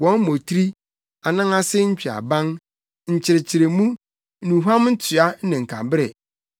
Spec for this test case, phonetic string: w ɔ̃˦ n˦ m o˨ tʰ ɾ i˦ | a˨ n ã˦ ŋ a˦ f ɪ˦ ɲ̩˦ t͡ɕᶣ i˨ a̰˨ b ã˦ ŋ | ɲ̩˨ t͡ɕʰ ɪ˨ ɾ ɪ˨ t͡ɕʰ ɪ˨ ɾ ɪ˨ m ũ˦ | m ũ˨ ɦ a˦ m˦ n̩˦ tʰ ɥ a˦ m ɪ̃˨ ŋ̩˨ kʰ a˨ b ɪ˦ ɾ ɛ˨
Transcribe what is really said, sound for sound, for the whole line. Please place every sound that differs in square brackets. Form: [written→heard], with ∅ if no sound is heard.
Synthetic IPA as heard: w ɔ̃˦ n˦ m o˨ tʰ ɾ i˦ | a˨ n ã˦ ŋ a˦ [f→s] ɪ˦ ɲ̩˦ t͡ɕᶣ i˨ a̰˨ b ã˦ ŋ | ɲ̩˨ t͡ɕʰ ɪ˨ ɾ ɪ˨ t͡ɕʰ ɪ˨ ɾ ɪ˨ m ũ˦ | [m→n] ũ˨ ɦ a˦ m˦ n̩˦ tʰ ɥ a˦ [m→n] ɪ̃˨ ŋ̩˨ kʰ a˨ b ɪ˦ ɾ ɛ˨

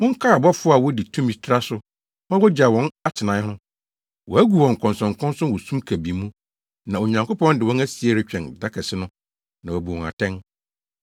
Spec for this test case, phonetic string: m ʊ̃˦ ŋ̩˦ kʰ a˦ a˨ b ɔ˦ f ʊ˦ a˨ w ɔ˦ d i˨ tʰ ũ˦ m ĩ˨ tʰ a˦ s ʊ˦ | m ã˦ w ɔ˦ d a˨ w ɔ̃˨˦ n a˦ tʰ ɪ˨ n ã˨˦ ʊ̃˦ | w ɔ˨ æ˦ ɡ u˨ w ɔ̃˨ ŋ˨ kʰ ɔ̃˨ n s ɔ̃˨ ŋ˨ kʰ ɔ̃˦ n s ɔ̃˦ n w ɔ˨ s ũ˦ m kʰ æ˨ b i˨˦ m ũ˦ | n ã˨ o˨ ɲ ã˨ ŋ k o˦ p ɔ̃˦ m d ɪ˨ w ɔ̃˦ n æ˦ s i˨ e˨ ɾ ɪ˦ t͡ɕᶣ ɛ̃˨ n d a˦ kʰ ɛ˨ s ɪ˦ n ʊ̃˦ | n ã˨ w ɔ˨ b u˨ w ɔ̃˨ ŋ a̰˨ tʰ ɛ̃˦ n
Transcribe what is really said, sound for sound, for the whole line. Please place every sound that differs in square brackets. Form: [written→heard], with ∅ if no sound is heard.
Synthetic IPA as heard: m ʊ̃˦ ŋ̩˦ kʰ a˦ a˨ b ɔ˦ f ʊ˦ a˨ w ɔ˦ d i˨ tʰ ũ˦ m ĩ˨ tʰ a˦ s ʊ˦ | m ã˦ w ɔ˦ [d→d͡ʑ] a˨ w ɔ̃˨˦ n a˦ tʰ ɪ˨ n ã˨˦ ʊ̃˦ | w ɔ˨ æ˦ ɡ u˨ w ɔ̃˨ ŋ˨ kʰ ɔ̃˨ n s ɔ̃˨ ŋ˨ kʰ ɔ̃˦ n s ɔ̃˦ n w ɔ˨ s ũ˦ m kʰ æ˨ b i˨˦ m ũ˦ | n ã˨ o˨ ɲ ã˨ ŋ k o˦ p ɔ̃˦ [m→n] d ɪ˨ w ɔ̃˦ n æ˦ s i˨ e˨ ɾ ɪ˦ t͡ɕᶣ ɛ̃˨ n d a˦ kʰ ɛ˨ s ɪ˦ n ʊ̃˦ | n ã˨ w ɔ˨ b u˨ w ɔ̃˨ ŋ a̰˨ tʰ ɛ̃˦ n

